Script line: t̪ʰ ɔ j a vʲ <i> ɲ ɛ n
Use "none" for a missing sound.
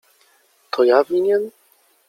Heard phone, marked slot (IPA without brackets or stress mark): i